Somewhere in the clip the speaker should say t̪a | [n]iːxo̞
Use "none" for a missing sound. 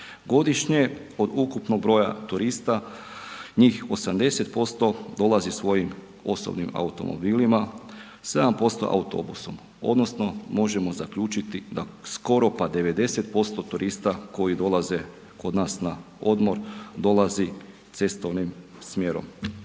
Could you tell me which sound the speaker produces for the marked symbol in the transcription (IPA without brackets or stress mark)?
ɲ